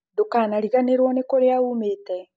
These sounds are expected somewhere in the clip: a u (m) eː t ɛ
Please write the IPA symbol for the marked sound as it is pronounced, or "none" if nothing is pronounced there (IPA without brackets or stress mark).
m